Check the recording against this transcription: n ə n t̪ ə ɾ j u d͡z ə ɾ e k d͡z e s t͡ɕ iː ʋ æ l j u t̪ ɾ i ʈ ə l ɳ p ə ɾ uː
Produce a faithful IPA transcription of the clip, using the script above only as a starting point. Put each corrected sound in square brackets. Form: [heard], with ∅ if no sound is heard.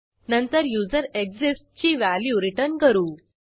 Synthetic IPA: n ə n t̪ ə ɾ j u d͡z ə ɾ e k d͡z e s t͡ɕ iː ʋ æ l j u [∅] ɾ i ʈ ə [ɾ] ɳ [k] ə ɾ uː